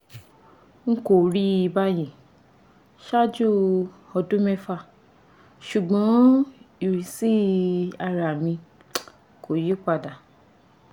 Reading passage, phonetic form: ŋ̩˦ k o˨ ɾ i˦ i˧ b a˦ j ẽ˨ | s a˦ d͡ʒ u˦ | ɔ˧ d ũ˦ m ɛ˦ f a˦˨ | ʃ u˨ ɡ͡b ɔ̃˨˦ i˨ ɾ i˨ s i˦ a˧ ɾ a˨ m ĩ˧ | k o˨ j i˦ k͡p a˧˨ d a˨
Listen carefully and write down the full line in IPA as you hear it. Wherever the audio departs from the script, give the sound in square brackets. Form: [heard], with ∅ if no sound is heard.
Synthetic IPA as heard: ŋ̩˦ k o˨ ɾ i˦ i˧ b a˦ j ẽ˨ | [ʃ] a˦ d͡ʒ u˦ | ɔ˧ d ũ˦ m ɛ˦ f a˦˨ | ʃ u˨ ɡ͡b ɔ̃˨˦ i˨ ɾ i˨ s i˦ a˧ ɾ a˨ m ĩ˧ | k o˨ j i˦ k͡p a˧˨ d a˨